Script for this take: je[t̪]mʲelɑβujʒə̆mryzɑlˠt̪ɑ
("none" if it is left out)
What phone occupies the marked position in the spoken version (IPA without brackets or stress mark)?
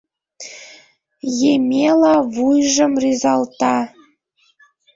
none